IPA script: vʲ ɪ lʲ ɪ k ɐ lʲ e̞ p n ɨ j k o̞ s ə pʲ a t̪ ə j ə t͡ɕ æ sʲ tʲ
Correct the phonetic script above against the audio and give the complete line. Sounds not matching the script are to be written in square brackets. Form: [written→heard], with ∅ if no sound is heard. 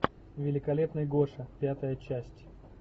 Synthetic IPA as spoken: vʲ ɪ lʲ ɪ k ɐ lʲ e̞ p n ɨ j [k→ɡ] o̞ [s→ʂ] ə pʲ a t̪ ə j ə t͡ɕ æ sʲ tʲ